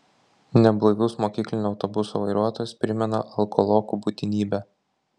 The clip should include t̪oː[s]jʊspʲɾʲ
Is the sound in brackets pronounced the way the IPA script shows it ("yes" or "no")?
no